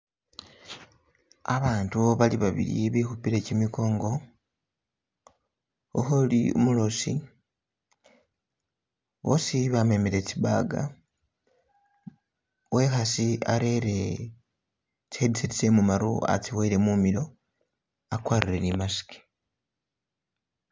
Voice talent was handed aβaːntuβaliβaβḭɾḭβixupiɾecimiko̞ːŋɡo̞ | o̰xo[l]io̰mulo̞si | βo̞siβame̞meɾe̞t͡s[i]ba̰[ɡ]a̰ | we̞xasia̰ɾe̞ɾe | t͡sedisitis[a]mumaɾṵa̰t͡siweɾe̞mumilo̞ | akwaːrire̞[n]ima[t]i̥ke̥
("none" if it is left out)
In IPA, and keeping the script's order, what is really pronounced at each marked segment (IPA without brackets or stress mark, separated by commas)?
l, i, ɡ, e, n, s